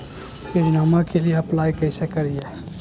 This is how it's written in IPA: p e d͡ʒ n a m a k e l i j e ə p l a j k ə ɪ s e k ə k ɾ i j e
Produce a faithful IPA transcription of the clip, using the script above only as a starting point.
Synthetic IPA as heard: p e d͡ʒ n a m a k e l i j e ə p l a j k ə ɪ s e k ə ɾ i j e